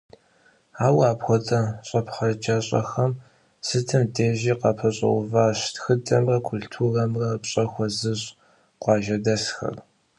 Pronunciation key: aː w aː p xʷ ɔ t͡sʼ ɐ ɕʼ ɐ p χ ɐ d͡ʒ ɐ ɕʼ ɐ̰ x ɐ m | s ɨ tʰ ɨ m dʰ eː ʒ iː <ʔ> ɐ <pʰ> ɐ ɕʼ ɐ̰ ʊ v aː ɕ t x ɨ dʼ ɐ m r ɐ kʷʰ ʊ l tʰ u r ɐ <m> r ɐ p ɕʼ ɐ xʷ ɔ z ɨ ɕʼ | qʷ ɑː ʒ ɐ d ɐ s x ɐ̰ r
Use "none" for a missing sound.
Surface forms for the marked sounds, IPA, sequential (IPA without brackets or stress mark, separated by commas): q, pʰ, m